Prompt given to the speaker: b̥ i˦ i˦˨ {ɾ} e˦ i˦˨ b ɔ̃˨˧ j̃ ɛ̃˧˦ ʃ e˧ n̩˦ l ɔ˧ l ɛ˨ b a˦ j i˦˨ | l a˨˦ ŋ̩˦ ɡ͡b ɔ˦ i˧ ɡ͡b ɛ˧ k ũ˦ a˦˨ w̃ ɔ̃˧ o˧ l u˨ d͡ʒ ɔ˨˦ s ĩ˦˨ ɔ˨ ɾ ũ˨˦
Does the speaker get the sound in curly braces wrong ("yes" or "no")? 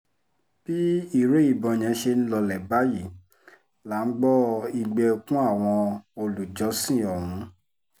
no